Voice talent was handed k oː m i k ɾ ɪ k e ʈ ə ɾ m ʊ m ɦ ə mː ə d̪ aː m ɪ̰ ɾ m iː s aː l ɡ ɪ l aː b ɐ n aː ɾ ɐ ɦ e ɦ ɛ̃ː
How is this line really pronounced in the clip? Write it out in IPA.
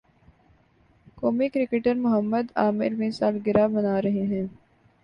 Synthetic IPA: k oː m i k ɾ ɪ k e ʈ ə ɾ m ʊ ɦ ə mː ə d̪ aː m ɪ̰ ɾ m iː s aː l ɡ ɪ ɾ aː b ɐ n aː ɾ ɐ ɦ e ɦ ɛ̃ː